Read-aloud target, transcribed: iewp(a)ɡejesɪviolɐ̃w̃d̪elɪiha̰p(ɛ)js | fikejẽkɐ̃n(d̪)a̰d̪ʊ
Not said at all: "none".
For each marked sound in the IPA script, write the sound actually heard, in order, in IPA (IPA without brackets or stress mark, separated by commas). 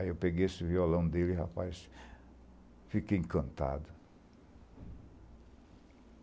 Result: e, a, t̪